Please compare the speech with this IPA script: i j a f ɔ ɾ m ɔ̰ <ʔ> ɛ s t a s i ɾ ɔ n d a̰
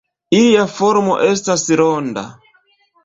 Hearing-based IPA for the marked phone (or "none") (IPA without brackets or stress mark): ʔ